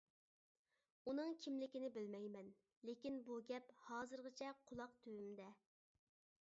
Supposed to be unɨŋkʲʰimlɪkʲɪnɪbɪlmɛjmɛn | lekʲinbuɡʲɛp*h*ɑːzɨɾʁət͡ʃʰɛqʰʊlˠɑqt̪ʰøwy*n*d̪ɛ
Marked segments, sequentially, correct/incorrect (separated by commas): correct, incorrect